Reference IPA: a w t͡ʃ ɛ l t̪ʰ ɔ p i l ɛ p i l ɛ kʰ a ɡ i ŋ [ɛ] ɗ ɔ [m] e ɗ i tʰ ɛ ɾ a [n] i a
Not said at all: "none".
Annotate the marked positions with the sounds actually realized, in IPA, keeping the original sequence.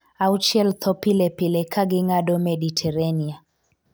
a, m, n

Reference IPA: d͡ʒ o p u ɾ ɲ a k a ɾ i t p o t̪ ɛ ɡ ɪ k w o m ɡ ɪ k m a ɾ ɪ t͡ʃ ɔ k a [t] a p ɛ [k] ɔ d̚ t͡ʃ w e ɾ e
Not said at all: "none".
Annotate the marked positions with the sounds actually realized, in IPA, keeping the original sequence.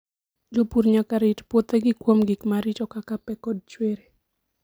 k, k

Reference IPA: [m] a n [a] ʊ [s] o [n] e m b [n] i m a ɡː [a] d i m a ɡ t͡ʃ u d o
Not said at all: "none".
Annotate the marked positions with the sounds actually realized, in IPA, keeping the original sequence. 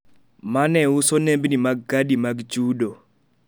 m, ɛ, s, n, n, a

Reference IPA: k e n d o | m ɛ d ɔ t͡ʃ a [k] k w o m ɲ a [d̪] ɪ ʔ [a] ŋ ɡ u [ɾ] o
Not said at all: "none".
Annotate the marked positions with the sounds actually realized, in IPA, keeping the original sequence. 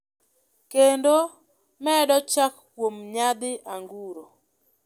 k, d̪, a, ɾ

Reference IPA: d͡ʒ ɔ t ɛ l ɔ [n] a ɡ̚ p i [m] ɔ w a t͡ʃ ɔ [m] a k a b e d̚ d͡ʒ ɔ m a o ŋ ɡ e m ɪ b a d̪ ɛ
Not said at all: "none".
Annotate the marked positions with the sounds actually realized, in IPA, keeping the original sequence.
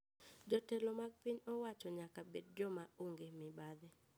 m, ɲ, ɲ

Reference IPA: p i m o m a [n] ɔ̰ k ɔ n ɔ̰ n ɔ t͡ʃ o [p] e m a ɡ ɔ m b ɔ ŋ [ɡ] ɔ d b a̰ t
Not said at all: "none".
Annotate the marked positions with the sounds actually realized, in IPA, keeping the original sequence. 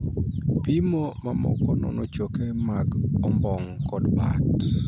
m, k, k

